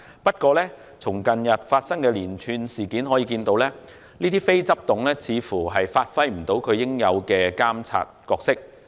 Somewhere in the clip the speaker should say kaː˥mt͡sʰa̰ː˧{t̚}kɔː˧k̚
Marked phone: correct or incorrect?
correct